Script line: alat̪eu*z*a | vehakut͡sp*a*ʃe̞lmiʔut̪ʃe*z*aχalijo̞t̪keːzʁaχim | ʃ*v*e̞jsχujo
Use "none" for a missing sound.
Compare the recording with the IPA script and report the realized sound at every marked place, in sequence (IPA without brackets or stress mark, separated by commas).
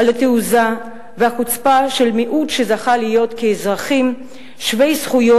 z, a, z, v